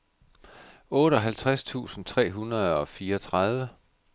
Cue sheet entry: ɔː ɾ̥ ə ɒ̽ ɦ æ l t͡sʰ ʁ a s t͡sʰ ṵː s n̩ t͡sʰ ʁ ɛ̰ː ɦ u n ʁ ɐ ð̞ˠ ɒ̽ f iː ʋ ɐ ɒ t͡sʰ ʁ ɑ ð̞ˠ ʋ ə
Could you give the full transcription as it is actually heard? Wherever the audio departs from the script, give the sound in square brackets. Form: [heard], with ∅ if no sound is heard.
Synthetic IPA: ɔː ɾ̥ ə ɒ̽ ɦ æ l t͡sʰ ʁ a s t͡sʰ ṵː s n̩ t͡sʰ ʁ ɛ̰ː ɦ u n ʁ ɐ ð̞ˠ ɒ̽ f iː [∅] ɐ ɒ t͡sʰ ʁ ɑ ð̞ˠ ʋ ə